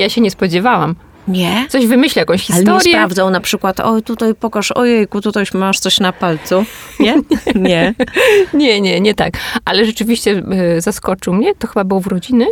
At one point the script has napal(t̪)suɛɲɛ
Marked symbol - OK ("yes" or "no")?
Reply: yes